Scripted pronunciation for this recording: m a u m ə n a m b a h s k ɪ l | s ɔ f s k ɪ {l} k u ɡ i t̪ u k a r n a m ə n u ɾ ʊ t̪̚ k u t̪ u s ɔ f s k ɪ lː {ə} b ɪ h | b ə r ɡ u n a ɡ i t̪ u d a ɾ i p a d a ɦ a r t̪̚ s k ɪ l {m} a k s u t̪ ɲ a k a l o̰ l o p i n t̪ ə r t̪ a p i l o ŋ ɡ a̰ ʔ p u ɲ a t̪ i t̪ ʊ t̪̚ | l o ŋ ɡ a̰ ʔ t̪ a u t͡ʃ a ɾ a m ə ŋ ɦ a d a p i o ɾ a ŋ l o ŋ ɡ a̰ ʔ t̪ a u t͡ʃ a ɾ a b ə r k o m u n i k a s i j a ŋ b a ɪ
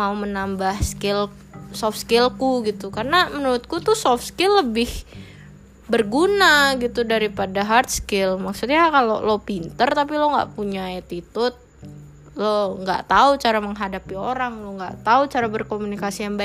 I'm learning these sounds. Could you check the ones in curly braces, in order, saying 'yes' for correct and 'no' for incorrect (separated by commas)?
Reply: yes, yes, yes